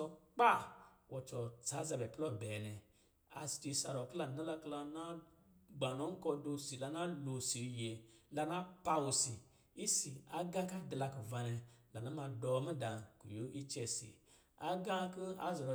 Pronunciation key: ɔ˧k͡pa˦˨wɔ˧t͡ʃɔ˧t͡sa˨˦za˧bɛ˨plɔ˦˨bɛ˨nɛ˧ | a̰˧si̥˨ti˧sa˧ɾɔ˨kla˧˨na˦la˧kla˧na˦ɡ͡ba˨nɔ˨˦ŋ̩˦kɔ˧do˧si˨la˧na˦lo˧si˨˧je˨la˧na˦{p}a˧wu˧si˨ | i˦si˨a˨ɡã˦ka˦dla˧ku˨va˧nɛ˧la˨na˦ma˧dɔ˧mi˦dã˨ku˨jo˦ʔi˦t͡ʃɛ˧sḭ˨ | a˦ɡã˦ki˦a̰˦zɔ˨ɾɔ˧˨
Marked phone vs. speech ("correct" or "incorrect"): correct